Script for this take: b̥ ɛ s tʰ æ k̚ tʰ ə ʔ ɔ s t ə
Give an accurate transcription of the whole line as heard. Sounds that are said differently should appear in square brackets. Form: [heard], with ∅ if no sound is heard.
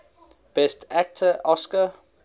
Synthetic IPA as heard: b̥ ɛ s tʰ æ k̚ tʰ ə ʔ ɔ s [k] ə